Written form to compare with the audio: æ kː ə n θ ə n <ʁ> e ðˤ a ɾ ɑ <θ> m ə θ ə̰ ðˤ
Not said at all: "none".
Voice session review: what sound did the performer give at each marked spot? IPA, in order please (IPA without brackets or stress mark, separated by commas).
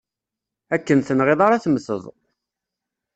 ʁ, θ